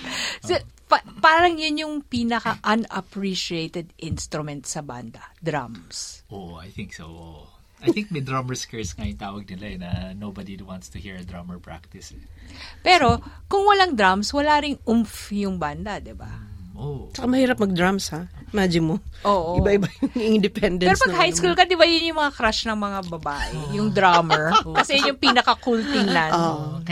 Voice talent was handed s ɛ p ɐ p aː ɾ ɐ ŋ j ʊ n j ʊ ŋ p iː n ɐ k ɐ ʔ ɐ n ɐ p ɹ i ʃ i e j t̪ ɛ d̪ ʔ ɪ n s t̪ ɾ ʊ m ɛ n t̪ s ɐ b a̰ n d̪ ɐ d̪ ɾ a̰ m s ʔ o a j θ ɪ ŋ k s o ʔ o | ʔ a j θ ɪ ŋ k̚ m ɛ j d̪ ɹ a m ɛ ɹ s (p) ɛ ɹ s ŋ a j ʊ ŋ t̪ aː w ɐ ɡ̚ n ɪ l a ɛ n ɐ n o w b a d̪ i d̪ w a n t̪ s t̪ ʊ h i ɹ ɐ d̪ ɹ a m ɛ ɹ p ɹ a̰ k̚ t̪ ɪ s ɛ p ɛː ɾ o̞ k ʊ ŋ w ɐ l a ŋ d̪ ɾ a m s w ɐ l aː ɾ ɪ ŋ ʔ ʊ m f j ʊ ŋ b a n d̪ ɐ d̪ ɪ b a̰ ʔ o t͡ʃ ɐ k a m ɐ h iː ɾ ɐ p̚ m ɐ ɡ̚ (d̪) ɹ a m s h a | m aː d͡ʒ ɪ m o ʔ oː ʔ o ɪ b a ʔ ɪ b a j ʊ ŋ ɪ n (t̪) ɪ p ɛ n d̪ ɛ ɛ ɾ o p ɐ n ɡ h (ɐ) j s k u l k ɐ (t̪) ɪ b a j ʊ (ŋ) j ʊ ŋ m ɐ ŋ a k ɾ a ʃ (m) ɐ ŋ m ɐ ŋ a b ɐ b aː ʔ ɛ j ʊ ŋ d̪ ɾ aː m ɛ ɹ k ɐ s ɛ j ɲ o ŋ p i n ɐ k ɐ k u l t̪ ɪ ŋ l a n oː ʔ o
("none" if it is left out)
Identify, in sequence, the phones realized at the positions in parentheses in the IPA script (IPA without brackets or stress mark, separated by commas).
k, d̪, d̪, a, d̪, n, n